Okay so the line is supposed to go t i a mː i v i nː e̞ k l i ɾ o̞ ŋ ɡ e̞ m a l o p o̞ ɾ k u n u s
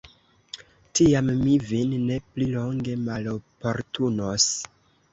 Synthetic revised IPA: t i a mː i v i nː e̞ p l i l o̞ ŋ ɡ e̞ m a l o p o̞ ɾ t u n o s